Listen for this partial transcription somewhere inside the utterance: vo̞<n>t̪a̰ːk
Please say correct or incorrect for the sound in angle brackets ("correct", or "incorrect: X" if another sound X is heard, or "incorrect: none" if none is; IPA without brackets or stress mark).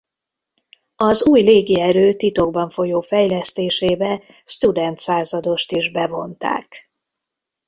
correct